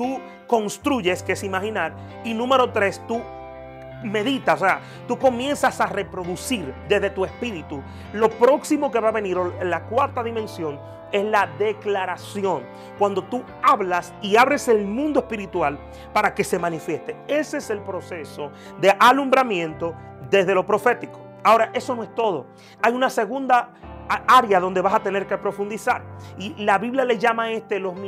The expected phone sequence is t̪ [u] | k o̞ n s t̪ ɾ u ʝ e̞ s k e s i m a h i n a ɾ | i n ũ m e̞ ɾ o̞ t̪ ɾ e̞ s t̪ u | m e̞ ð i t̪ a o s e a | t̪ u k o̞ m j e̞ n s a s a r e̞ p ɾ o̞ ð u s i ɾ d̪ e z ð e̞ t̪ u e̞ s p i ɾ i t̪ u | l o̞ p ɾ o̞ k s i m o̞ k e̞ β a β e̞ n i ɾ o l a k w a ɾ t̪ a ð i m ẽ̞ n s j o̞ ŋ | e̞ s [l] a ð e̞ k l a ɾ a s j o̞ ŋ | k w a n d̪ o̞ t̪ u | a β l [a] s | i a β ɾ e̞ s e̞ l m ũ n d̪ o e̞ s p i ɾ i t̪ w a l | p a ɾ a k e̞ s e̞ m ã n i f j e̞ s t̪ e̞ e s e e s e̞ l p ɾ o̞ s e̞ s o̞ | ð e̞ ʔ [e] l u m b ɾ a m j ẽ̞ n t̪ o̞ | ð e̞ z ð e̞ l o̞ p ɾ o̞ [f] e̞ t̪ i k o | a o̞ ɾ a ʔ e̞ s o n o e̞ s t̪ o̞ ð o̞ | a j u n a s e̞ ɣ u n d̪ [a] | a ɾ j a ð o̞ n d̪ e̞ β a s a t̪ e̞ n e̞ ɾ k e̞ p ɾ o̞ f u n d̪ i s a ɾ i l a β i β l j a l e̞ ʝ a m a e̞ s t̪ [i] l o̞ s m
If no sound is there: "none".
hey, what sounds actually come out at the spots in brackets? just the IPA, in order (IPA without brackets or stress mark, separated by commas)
u, l, a, a, f, a, e